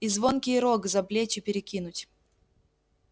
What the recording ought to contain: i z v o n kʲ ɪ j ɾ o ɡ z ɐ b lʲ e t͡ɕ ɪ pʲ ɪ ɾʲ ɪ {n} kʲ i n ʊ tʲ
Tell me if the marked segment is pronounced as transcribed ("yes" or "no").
no